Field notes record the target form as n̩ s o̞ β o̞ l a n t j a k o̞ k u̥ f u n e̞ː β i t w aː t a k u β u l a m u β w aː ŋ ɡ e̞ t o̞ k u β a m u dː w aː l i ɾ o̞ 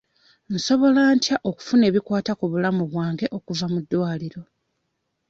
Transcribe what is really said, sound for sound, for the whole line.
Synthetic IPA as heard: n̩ s o̞ β o̞ l a n t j a ʔ o̞ k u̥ f u n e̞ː β i k w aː t a k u β u l a m u β w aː ŋ ɡ e̞ ʔ o̞ k u v a m u dː w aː l i ɾ o̞